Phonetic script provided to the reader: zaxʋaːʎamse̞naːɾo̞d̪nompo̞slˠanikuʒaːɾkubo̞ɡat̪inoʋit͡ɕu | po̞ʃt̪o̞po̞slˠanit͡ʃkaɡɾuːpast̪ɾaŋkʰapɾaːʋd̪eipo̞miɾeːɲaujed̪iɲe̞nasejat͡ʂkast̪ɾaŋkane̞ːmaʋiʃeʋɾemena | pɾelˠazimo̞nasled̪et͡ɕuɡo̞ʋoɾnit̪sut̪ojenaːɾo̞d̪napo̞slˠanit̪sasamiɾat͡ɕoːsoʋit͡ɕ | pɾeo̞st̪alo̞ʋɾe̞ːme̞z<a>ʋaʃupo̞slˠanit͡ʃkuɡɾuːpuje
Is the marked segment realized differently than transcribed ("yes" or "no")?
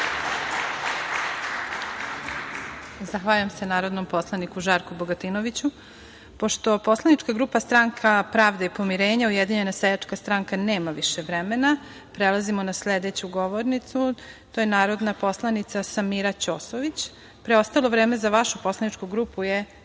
no